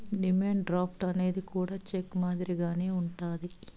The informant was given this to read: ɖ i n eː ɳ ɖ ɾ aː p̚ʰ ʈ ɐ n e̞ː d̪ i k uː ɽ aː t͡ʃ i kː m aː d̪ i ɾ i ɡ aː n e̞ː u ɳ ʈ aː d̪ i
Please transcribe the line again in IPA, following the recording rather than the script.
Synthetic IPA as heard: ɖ i m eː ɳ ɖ ɾ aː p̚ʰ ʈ ɐ n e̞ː d̪ i k uː ɽ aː t͡ʃ e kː m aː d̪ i ɾ i ɡ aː n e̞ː u ɳ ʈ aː d̪ i